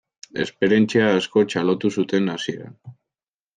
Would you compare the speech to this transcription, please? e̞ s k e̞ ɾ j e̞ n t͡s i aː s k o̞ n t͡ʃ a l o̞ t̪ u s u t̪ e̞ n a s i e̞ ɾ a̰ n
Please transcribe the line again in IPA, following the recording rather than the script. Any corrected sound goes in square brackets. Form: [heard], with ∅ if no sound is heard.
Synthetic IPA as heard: e̞ s [p] e̞ ɾ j e̞ n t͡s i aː s k o̞ [∅] t͡ʃ a l o̞ t̪ u s u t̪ e̞ n a s i e̞ ɾ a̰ n